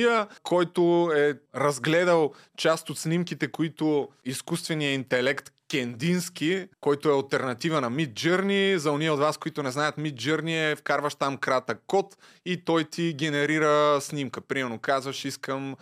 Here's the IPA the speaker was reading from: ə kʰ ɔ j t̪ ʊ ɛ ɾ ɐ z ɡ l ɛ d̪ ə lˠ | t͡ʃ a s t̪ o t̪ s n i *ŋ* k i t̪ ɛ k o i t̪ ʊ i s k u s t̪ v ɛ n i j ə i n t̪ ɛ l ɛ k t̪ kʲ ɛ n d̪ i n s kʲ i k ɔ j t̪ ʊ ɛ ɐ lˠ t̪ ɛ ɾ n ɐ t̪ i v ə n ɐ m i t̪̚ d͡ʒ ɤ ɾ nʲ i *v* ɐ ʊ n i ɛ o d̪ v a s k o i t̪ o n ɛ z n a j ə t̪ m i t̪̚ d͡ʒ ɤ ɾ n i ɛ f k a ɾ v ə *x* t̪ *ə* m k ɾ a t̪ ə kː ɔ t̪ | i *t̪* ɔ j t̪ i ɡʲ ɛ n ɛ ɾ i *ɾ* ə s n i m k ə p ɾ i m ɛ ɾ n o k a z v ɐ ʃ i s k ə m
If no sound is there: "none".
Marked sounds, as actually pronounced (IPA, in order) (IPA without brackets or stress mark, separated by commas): m, z, ʃ, a, t̪, ɾ